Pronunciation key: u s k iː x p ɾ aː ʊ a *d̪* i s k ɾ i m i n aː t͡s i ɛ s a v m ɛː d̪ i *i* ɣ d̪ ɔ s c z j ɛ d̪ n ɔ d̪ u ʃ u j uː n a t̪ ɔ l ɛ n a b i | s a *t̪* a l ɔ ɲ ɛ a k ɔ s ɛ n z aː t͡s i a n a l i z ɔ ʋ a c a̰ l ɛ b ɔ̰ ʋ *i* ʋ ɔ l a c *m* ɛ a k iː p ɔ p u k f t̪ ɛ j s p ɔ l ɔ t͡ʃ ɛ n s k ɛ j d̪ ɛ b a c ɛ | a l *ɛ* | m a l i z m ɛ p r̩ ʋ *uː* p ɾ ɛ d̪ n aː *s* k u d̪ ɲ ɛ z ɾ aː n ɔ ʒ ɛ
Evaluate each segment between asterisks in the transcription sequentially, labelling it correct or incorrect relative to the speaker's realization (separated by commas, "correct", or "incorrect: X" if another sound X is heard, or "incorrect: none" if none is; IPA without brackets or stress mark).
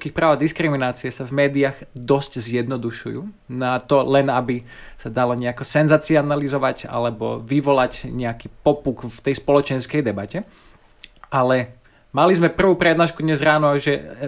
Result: correct, incorrect: a, incorrect: d̪, correct, incorrect: ɲ, correct, correct, incorrect: ʃ